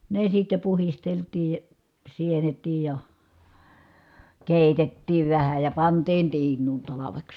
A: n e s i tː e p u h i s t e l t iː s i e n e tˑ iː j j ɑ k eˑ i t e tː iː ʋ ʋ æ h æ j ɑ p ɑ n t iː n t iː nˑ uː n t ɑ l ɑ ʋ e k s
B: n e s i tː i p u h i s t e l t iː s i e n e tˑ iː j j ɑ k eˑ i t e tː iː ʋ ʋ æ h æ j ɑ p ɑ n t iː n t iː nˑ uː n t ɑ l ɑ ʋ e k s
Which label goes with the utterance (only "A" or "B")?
A